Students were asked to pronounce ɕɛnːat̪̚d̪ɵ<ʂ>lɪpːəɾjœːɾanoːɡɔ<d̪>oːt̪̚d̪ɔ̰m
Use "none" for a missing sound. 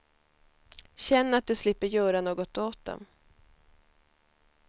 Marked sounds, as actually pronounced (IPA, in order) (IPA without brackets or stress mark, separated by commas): s, t̪